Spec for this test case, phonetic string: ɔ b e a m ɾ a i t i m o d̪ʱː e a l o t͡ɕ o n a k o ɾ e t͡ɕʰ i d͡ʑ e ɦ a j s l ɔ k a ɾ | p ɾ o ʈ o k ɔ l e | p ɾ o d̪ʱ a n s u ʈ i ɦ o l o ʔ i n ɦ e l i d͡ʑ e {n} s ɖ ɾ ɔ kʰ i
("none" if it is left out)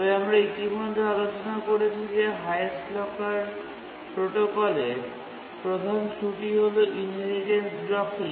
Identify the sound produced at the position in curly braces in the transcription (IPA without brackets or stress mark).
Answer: n